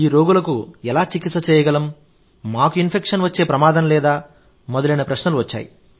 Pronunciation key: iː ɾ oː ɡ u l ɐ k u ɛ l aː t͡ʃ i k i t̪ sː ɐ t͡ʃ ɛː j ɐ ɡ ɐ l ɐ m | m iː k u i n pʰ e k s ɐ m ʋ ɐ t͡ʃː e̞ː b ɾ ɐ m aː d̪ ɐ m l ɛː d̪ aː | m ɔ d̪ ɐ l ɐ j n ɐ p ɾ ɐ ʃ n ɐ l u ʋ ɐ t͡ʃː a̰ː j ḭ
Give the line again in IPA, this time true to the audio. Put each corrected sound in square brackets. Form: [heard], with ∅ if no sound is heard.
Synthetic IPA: iː ɾ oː ɡ u l ɐ k u ɛ l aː t͡ʃ i k i t̪ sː ɐ t͡ʃ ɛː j ɐ ɡ ɐ l ɐ m | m [aː] k u i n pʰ e k [ʂ] ɐ [n] ʋ ɐ t͡ʃː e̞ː [p] ɾ ɐ m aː d̪ ɐ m l ɛː d̪ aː | m ɔ d̪ ɐ l ɐ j n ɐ p ɾ ɐ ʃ n ɐ l u ʋ ɐ t͡ʃː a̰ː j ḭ